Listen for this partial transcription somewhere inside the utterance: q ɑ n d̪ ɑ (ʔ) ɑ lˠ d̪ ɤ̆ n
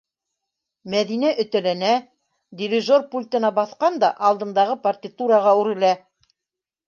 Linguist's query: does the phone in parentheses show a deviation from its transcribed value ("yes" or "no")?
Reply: no